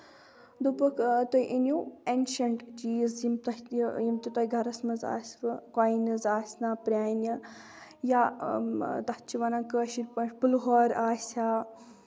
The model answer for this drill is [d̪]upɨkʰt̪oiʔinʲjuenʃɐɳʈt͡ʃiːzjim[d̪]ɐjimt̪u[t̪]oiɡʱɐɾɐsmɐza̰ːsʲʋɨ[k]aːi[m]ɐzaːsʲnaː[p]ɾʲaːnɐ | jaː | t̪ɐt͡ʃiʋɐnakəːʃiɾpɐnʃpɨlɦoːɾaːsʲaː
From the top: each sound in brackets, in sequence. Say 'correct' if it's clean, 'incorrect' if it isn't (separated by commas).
correct, incorrect, correct, correct, incorrect, correct